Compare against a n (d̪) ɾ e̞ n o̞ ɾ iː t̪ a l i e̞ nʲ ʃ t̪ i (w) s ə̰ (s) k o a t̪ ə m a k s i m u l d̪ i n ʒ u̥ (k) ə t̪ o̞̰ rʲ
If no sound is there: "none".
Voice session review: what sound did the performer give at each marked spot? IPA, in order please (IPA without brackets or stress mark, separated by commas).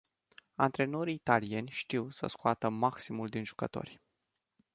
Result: t̪, w, s, k